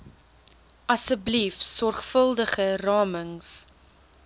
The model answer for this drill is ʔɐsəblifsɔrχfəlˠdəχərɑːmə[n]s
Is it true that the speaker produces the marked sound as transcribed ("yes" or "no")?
no